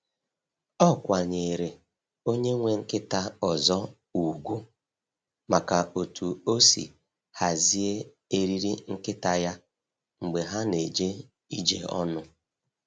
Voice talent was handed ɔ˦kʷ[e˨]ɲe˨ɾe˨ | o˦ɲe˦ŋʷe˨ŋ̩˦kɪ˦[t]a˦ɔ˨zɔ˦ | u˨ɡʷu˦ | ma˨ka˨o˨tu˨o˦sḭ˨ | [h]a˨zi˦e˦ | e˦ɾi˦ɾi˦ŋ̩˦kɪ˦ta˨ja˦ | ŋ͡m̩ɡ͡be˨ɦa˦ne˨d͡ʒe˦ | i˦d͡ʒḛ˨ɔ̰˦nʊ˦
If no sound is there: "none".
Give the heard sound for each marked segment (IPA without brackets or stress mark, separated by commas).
a˨, t, h